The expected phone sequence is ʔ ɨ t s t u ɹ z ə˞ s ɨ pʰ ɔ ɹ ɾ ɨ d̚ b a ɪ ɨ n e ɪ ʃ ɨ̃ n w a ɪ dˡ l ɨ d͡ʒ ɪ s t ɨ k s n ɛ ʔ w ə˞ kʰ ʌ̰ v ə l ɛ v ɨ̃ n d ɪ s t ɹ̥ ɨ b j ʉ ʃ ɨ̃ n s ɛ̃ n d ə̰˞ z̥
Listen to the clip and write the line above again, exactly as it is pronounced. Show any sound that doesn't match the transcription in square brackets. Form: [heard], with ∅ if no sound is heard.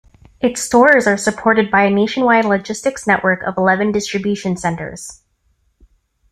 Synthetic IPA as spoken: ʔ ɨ t s t [ɔ] ɹ z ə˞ s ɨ pʰ ɔ ɹ ɾ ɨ d̚ b a ɪ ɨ n e ɪ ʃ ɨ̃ n w a ɪ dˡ l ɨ d͡ʒ ɪ s t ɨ k s n ɛ ʔ w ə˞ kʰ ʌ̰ v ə l ɛ v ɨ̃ n d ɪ s t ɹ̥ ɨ b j ʉ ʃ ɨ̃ n s ɛ̃ n [t] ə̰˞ z̥

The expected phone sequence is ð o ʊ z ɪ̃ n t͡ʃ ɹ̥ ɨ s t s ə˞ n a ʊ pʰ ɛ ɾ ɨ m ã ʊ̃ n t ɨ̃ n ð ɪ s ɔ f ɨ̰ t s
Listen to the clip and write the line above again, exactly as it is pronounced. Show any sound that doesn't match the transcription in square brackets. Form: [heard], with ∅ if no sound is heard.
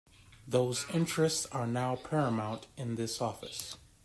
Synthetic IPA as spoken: ð o ʊ z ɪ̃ n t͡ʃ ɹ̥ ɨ s t s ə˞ n a ʊ pʰ ɛ [ɹ] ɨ m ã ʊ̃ n t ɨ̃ n ð ɪ s ɔ f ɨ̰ [∅] s

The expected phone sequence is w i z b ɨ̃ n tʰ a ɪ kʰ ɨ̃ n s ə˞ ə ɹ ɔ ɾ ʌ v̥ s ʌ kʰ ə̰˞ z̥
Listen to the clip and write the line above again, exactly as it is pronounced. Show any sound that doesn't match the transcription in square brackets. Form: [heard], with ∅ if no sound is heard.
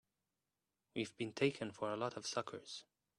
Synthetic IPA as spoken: w i [v] b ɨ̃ n tʰ [e] ɪ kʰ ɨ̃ n [f] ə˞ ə [l] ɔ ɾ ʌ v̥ s ʌ kʰ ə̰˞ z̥

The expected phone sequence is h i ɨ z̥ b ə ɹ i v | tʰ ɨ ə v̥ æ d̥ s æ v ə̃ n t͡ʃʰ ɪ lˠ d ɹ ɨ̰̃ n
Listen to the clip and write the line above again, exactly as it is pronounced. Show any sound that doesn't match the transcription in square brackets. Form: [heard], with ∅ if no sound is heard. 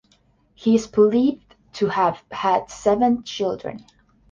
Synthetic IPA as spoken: h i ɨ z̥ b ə [l] i v | tʰ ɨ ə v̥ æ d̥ s [ɛ] v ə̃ n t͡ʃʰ ɪ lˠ d ɹ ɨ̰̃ n

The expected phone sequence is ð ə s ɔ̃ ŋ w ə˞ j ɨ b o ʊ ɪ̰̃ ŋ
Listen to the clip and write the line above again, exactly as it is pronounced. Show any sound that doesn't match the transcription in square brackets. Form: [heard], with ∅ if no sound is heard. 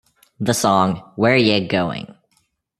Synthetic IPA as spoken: ð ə s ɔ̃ ŋ w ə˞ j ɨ [ɡ] o ʊ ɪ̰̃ ŋ

